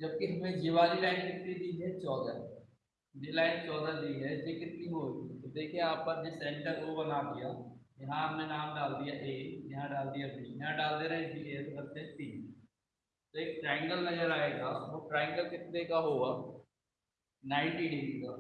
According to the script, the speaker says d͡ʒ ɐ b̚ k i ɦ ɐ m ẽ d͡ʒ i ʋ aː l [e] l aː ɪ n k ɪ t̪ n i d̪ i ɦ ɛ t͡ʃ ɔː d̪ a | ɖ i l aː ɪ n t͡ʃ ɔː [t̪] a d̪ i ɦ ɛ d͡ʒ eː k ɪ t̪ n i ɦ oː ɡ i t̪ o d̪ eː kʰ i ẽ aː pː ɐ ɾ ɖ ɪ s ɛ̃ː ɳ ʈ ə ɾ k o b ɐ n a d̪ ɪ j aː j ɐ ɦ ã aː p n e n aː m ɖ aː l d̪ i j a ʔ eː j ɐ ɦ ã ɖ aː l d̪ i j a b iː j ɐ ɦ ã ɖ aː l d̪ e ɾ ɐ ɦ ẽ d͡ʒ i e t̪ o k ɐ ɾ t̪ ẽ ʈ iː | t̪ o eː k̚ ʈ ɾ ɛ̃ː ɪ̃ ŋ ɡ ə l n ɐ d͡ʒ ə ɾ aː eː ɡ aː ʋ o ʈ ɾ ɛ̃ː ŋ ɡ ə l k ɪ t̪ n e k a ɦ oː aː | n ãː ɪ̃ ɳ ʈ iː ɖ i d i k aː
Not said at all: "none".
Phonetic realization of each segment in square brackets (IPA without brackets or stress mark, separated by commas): i, d̪